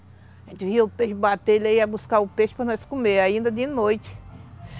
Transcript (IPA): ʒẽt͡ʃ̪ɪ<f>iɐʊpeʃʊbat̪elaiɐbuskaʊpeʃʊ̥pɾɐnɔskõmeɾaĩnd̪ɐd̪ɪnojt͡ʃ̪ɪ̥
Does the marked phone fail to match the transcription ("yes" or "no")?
yes